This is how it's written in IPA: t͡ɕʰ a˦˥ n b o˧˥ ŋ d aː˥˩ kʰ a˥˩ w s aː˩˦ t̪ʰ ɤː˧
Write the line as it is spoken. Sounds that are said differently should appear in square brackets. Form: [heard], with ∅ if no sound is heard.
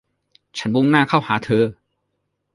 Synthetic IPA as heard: t͡ɕʰ a˦˥ n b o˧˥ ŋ [n] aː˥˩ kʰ a˥˩ w [h] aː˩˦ t̪ʰ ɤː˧